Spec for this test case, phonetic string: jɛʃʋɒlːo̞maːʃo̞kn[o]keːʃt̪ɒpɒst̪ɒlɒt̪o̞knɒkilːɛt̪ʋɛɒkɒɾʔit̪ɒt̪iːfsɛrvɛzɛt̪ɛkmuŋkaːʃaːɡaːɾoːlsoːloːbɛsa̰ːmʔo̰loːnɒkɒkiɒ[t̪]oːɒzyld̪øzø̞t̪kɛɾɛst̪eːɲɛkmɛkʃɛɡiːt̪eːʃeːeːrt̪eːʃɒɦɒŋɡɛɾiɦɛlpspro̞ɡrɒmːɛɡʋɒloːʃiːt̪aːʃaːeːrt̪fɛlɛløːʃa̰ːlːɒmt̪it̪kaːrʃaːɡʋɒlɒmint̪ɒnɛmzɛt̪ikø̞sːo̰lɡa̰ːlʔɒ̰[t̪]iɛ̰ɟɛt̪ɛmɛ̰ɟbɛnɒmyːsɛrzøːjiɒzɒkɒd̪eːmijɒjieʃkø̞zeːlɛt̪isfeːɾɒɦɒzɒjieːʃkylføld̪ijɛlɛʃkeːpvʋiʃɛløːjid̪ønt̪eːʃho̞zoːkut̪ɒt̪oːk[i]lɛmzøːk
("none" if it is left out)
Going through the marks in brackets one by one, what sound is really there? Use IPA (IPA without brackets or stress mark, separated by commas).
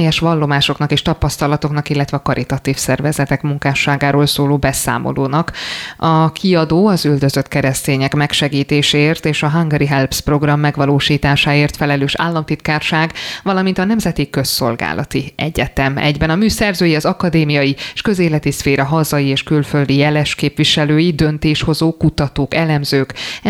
ɒ, d̪, t̪, ɛ